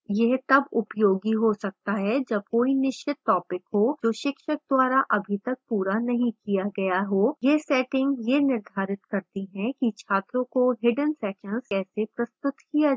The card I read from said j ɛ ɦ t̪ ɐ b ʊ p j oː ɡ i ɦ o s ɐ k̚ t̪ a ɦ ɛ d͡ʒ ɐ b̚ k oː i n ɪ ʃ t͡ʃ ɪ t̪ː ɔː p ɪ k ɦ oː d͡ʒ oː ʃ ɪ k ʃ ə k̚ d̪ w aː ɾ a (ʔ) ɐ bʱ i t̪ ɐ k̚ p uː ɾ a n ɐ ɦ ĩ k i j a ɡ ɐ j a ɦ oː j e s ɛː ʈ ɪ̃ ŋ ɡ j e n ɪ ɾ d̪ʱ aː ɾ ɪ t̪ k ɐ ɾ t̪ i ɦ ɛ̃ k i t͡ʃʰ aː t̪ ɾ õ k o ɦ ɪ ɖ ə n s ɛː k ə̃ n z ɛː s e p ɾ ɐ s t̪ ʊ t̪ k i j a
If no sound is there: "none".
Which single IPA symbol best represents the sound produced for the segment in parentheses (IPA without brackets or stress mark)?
ʔ